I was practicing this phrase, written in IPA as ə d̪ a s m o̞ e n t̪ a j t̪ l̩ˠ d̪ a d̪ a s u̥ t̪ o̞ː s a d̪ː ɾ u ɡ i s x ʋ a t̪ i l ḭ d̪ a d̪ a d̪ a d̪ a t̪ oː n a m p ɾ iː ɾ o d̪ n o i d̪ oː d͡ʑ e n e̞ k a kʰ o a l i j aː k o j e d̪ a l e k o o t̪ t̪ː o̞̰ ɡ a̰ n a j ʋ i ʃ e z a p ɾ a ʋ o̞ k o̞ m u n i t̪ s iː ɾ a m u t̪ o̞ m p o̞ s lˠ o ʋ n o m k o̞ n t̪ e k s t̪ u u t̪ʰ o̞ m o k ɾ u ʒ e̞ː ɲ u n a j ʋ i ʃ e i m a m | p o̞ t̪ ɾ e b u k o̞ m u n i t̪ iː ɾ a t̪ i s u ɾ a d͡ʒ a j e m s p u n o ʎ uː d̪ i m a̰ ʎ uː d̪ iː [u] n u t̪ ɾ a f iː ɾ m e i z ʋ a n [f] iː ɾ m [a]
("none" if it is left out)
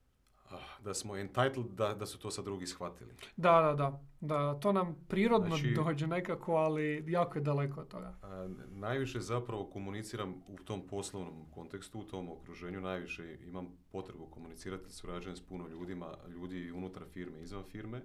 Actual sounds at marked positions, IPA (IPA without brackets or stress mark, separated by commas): u, f, e